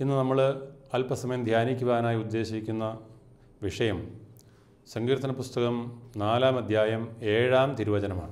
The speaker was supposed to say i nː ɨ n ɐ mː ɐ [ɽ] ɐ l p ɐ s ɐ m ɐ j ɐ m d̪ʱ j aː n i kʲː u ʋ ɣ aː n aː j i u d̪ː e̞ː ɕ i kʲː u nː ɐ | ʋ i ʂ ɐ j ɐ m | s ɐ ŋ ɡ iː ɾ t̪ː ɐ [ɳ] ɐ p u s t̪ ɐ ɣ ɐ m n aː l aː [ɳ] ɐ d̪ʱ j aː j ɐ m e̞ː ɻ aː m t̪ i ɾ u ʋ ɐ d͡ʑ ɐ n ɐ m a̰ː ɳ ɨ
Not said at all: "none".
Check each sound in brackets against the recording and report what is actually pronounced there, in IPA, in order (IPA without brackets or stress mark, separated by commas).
ɭ, n, m